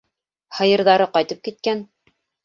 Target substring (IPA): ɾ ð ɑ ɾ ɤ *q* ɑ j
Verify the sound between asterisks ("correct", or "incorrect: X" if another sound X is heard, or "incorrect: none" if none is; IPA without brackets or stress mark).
correct